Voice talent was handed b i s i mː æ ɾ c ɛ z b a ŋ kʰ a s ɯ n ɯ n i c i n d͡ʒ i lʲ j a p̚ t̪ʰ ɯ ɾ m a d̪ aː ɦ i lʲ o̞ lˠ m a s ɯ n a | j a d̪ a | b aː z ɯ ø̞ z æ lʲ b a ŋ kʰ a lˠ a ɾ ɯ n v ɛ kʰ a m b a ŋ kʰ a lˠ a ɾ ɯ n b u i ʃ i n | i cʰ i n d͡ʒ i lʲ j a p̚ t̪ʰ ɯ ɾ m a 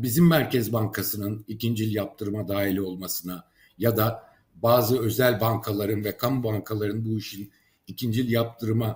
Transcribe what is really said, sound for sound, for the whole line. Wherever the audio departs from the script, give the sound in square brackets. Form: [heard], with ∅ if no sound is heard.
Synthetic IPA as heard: b i [z] i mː æ ɾ c ɛ z b a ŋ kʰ a s ɯ n ɯ n i c i n d͡ʒ i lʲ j a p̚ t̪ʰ ɯ ɾ m a d̪ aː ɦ i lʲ o̞ lˠ m a s ɯ n a | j a d̪ a | b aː z ɯ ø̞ z æ lʲ b a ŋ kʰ a lˠ a ɾ ɯ n v ɛ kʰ a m b a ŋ kʰ a lˠ a ɾ ɯ n b u i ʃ i n | i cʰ i n d͡ʒ i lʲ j a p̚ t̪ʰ ɯ ɾ m a